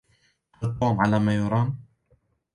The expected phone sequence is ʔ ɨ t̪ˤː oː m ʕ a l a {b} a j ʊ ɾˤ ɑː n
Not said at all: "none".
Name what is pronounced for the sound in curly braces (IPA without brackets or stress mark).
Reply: m